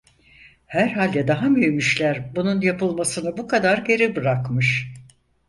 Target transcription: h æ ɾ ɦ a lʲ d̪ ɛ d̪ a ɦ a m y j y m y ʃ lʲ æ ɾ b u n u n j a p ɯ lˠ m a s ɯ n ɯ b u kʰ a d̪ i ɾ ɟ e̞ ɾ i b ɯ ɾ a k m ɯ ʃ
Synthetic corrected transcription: h æ ɾ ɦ a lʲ d̪ ɛ d̪ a ɦ a m y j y m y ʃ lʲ æ ɾ b u n u n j a p ɯ lˠ m a s ɯ n ɯ b u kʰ a d̪ a ɾ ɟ e̞ ɾ i b ɯ ɾ a k m ɯ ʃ